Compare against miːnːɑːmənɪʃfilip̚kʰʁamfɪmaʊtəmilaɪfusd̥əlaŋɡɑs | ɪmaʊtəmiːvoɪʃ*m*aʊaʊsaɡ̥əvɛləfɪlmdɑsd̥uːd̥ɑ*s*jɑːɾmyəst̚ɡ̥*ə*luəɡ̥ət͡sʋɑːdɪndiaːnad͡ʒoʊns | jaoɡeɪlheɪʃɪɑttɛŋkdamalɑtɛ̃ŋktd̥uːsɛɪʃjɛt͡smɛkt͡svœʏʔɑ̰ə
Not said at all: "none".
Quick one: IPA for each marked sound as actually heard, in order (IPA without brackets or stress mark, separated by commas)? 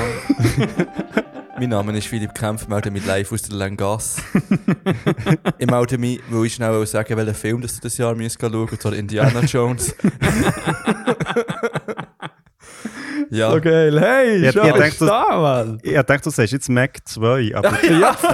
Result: n, s, ɑ